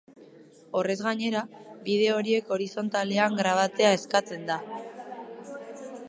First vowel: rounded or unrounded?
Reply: rounded